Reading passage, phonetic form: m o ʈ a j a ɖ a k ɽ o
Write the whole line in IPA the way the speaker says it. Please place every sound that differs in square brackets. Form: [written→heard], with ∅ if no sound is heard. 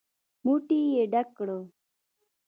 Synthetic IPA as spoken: m [o→u] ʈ [a→i] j [a→e] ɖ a k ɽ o